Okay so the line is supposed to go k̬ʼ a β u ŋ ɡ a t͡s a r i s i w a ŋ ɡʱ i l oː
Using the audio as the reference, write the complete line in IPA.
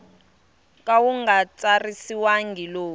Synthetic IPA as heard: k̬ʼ a w u ŋ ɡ a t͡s a r i s i w a ŋ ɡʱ i l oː